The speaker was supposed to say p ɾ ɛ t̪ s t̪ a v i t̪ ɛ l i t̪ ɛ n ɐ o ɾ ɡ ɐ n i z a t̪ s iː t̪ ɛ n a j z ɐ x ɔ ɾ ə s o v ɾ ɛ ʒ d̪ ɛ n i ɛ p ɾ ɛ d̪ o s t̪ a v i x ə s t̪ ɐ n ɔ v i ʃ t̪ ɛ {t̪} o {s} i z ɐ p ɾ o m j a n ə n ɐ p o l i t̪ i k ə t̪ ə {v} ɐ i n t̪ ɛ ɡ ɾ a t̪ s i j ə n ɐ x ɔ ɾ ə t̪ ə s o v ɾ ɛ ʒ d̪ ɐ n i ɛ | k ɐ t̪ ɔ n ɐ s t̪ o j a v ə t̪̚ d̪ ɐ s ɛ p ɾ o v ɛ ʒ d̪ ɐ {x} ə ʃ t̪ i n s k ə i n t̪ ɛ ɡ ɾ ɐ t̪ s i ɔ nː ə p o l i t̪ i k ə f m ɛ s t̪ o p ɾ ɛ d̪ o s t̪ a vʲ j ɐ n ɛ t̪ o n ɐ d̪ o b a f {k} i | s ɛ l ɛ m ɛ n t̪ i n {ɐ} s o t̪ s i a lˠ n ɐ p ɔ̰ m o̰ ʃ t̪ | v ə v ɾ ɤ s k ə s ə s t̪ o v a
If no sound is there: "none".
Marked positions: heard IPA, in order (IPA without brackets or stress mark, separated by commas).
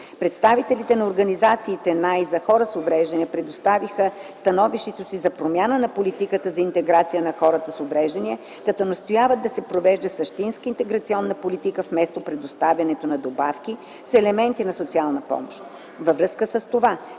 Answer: t̪, s, z, s, k, ɐ